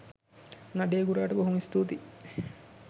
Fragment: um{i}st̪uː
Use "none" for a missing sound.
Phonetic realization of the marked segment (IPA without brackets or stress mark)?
i